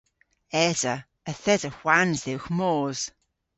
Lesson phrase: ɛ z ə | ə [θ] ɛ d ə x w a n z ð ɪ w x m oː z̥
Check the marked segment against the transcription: correct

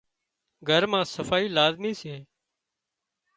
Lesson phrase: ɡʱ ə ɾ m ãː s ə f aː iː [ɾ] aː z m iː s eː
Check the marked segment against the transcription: incorrect: l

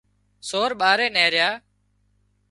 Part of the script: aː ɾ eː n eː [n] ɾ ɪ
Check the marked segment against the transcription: incorrect: none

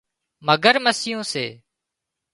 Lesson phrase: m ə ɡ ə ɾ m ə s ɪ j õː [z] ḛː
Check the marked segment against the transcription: incorrect: s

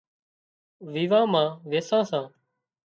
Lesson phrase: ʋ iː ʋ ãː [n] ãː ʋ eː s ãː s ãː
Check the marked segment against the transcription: incorrect: m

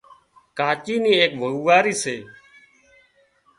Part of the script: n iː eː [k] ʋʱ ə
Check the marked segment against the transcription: correct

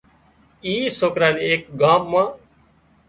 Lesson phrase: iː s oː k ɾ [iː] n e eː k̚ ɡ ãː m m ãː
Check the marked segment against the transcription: incorrect: aː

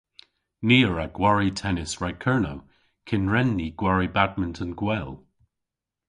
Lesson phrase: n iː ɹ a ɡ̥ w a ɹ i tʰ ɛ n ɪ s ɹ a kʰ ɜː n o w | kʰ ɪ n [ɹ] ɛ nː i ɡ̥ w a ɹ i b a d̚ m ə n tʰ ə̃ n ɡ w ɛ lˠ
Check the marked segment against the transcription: correct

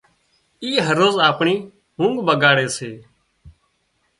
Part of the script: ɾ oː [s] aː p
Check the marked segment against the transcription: incorrect: z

